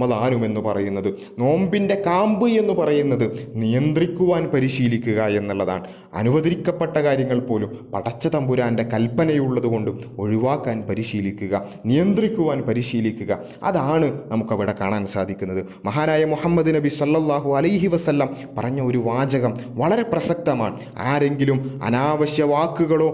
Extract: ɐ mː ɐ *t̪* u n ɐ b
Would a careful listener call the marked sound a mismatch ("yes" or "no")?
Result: yes